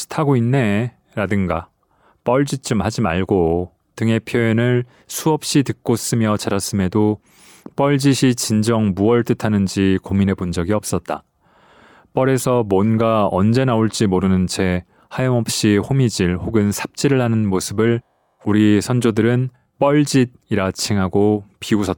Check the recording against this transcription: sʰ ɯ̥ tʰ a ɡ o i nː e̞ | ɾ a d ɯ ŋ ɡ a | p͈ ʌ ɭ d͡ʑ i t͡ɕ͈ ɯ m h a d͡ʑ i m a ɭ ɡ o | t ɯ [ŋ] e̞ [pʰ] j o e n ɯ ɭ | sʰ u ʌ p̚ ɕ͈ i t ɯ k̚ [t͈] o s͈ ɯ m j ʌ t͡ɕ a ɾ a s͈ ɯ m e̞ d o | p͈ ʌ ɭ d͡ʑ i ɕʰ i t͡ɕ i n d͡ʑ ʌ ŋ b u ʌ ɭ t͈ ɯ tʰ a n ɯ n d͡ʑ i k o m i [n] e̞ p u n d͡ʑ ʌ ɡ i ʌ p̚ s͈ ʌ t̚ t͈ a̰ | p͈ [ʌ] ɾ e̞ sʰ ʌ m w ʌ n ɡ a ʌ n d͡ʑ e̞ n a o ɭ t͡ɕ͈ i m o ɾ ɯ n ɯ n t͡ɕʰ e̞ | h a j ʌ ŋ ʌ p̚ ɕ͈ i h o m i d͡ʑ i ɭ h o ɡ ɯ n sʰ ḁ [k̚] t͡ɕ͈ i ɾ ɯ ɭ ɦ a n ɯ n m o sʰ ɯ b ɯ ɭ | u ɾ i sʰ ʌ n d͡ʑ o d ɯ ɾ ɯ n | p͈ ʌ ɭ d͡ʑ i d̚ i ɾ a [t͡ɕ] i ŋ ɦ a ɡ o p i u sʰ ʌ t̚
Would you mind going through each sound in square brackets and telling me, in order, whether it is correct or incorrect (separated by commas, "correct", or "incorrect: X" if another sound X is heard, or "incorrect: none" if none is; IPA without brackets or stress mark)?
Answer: correct, correct, incorrect: k͈, correct, correct, incorrect: p̚, incorrect: t͡ɕʰ